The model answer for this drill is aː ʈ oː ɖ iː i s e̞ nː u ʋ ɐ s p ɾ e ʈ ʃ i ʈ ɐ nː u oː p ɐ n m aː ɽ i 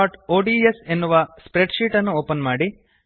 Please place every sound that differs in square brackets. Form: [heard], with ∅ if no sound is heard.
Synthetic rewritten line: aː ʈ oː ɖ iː [e] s e̞ nː u ʋ ɐ s p ɾ e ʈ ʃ [iː] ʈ ɐ nː u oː p ɐ n m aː ɽ i